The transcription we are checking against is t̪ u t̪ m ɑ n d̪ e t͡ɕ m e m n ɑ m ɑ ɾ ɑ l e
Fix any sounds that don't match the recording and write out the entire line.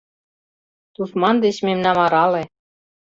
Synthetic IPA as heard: t̪ u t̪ m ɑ n d̪ e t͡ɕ m e m n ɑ m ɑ ɾ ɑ l e

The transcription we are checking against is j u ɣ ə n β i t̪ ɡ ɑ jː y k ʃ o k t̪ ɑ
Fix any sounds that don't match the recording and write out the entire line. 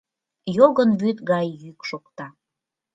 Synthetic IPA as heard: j o ɣ ə n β y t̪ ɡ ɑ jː y k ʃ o k t̪ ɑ

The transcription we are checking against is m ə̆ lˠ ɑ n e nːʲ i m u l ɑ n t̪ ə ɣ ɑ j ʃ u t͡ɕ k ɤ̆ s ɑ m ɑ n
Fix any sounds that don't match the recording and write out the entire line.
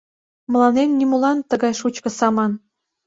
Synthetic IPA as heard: m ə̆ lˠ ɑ n e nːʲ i m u l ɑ n t̪ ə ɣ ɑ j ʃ u t͡ɕ k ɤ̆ s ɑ m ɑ n

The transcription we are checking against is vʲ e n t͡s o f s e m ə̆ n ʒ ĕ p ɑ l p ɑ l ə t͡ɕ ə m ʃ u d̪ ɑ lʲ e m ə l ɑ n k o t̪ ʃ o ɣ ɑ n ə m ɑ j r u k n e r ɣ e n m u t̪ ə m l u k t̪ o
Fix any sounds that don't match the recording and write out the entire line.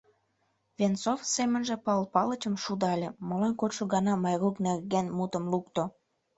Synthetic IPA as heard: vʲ e n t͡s o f s e m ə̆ n ʒ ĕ p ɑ l p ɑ l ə t͡ɕ ə m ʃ u d̪ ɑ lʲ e m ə l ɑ n k o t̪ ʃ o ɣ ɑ n ɑ m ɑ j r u k n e r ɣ e n m u t̪ ə m l u k t̪ o

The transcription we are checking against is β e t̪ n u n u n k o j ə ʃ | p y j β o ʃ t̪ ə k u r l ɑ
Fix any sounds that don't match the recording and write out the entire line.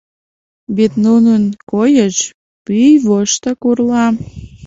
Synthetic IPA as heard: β e t̪ n u n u n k o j ə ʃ | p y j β o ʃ t̪ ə k u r l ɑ

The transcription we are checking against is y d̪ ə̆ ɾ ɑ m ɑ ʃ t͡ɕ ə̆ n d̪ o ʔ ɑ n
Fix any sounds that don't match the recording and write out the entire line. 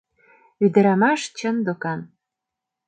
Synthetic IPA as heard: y d̪ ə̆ ɾ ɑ m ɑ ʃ t͡ɕ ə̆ n d̪ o k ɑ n

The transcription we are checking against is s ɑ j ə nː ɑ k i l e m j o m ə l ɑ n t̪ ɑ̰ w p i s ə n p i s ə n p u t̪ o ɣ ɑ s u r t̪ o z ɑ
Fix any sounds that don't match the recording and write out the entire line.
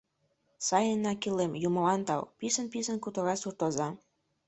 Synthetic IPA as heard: s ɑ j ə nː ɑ k i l e m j u m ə l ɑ n t̪ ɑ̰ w p i s ə n p i s ə n k u t̪ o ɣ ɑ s u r t̪ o z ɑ

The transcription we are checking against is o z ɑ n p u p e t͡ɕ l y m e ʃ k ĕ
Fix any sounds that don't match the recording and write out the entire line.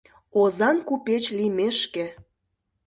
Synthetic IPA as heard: o z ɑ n k u p e t͡ɕ l i m e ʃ k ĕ

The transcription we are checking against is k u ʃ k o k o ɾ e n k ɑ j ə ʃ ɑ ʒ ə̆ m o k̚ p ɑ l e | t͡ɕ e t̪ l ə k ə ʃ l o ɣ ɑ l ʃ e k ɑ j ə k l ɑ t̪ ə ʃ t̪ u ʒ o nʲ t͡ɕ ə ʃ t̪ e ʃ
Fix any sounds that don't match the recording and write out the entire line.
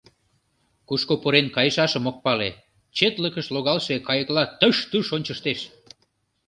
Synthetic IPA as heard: k u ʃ k o p o ɾ e n k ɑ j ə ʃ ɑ ʃ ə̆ m o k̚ p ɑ l e | t͡ɕ e t̪ l ə k ə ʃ l o ɣ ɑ l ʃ e k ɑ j ə k l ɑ t̪ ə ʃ t̪ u ʃ o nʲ t͡ɕ ə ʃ t̪ e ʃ

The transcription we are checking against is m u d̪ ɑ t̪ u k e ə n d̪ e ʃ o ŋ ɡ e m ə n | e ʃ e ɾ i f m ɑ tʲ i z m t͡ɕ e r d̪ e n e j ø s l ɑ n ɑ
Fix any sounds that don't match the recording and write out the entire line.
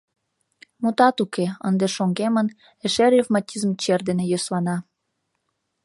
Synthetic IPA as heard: m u t̪ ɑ t̪ u k e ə n d̪ e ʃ o ŋ ɡ e m ə n | e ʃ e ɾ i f m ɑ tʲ i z m t͡ɕ e r d̪ e n e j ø s l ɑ n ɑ

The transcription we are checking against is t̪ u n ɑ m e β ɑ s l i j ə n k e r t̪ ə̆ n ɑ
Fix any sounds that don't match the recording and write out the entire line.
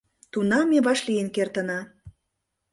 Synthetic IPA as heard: t̪ u n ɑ m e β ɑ ʃ l i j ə n k e r t̪ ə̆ n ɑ

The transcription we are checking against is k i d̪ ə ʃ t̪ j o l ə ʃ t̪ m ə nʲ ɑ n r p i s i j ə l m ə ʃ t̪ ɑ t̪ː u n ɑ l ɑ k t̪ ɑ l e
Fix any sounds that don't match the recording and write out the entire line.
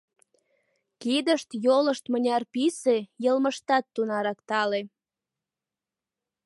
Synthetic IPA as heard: k i d̪ ə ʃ t̪ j o l ə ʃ t̪ m ə nʲ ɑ r p i s e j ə l m ə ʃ t̪ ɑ t̪ː u n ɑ ɾ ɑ k t̪ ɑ l e

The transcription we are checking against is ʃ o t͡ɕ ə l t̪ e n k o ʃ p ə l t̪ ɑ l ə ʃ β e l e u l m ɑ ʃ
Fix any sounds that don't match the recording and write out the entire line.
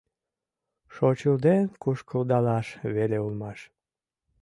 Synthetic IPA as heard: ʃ o t͡ɕ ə l d̪ e n k u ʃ k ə l d̪ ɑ l ɑ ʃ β e l e u l m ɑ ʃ

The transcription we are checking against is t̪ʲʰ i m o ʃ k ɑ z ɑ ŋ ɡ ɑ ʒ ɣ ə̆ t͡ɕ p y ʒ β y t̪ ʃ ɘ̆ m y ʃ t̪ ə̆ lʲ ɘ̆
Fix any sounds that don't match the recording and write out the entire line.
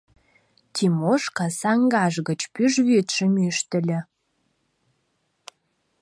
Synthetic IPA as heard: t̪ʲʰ i m o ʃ k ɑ s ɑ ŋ ɡ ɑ ʒ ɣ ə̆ t͡ɕ p y ʒ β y t̪ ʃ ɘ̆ m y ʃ t̪ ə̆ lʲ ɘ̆

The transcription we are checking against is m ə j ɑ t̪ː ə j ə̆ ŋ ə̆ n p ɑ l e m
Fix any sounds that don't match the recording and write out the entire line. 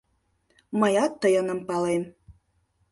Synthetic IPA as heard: m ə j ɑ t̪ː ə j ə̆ n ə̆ m p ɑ l e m

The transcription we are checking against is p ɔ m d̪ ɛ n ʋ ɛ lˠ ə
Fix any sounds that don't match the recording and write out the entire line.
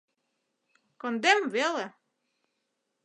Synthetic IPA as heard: k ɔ n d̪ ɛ m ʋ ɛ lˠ ə

